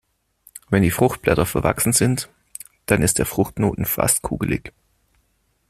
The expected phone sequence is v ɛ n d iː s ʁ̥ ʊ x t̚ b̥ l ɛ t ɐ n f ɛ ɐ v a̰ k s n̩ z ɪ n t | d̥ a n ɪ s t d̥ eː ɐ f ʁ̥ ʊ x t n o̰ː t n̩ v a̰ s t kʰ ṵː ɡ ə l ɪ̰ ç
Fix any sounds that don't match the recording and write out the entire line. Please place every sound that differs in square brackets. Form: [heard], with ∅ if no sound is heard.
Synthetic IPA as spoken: v ɛ n d iː [f] ʁ̥ ʊ x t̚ b̥ l ɛ t ɐ [∅] f ɛ ɐ v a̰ k s n̩ z ɪ n t | d̥ a n ɪ s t d̥ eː ɐ f ʁ̥ ʊ x t n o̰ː t n̩ [f] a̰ s t kʰ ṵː ɡ ə l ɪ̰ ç